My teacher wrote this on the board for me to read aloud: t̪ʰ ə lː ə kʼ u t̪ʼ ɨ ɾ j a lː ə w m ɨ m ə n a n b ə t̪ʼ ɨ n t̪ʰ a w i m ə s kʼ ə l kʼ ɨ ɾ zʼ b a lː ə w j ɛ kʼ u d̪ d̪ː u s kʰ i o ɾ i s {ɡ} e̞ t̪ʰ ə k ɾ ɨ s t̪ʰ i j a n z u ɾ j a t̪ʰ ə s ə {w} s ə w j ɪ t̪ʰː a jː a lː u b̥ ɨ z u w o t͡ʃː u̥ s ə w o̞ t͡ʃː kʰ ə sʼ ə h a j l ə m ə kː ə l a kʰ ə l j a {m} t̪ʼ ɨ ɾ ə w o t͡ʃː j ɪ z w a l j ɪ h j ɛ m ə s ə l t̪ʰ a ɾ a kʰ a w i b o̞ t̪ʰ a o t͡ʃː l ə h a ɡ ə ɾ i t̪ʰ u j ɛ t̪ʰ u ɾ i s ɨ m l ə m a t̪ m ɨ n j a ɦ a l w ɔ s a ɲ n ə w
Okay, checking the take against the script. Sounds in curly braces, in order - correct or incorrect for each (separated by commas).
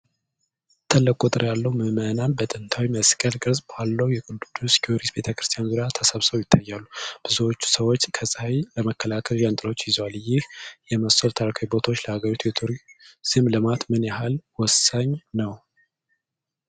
incorrect, incorrect, incorrect